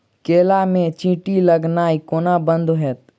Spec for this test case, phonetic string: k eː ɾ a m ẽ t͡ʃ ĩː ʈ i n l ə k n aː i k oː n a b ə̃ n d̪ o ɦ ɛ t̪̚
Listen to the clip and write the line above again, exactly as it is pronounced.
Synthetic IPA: k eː l a m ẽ t͡ʃ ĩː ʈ i l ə ɡ n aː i k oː n a b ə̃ n d̪ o ɦ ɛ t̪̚

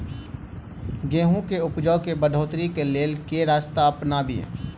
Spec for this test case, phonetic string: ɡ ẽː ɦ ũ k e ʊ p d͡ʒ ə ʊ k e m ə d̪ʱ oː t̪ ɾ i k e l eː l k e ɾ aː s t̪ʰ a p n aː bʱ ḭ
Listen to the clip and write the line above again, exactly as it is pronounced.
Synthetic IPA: ɡ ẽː ɦ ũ k e ʊ p d͡ʒ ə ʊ k e b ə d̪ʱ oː t̪ ɾ i k e l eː l k e ɾ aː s t̪ a p n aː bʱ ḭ

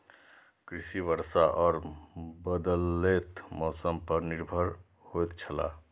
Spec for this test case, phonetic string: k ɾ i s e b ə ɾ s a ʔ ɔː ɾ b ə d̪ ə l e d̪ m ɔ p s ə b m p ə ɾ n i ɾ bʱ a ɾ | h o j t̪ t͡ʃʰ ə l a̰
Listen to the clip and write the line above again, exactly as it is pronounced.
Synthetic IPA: k ɾ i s i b ə ɾ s a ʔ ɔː ɾ b ə d̪ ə l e t̪ m ɔ s ə m p ə ɾ n i ɾ bʱ ə ɾ | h o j t̪ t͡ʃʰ ə l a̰

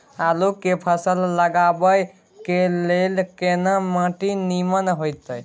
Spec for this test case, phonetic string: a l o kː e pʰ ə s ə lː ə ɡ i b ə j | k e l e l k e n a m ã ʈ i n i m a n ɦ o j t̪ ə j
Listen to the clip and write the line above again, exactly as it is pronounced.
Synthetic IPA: a l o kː e pʰ ə s ə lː ə ɡ a b ə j | k e l e l k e n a m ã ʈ i n i m ə n ɦ o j t̪ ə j

